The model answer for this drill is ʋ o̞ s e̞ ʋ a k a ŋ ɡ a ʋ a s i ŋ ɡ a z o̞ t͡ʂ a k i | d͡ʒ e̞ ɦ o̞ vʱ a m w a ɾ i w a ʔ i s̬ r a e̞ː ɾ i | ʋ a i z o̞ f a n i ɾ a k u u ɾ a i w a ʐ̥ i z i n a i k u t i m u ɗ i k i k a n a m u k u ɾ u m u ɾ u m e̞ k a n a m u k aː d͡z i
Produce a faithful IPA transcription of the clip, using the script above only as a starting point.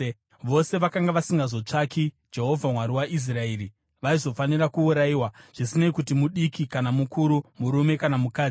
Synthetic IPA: ʋ o̞ s e̞ ʋ a k a ŋ ɡ a ʋ a s i ŋ ɡ a z o̞ t͡ʂ a k i | d͡ʒ e̞ ɦ o̞ vʱ a m w a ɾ i w a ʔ i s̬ r a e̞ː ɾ i | ʋ a i z o̞ f a n i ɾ a k u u ɾ a i w a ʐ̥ i s i n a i k u t i m u ɗ i k i k a n a m u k u ɾ u m u ɾ u m e̞ k a n a m u k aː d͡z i